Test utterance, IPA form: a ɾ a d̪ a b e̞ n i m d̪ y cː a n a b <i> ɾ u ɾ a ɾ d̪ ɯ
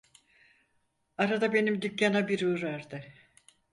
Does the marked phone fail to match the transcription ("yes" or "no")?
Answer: no